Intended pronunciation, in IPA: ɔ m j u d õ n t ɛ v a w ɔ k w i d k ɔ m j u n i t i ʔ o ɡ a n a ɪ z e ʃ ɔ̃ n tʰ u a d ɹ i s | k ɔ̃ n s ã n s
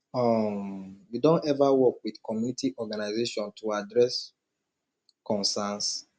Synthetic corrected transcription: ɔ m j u d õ n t ɛ v a w ɔ k w i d k ɔ m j u n i t i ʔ ɔ ɡ a n a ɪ z e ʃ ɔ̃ n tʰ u a d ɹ ɛ s | k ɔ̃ n s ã n s